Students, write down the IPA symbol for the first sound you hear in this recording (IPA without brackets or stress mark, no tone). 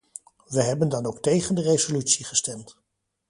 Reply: ʋ